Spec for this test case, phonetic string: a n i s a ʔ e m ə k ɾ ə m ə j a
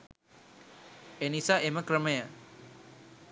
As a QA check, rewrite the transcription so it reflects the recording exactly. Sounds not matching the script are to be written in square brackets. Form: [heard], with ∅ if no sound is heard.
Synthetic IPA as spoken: [e] n i s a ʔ e m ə k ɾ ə m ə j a